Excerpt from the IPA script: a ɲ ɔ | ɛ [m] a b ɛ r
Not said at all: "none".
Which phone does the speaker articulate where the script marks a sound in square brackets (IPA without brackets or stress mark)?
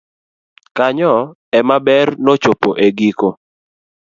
m